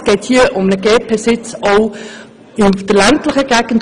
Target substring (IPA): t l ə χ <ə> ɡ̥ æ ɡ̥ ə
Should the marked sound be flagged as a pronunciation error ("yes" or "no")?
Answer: no